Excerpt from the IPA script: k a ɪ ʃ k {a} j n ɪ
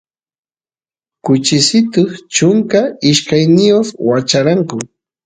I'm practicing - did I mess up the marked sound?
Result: no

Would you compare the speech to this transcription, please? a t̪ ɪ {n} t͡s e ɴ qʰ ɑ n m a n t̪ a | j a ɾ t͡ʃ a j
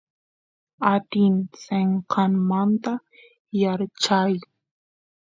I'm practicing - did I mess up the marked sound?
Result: no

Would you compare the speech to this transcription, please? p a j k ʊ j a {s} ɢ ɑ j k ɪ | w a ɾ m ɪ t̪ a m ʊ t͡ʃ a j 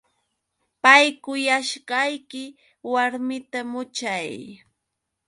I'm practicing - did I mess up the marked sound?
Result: yes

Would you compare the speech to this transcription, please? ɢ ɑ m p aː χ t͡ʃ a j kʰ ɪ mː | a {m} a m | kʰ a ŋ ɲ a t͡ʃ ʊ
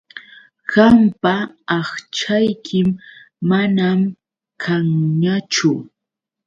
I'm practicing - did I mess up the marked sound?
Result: yes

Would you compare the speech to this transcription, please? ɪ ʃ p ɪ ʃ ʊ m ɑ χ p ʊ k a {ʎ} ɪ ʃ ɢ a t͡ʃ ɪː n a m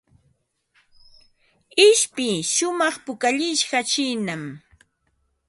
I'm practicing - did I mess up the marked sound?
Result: no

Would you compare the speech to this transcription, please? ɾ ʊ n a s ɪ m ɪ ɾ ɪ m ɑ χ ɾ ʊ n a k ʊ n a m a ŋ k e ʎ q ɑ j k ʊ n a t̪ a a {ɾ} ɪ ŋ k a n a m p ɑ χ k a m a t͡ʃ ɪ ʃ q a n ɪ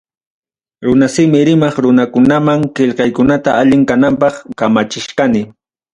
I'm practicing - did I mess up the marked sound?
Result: yes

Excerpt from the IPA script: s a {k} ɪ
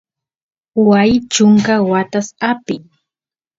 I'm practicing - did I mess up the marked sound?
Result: yes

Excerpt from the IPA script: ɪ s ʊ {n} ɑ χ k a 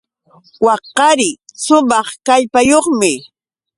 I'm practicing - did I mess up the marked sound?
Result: yes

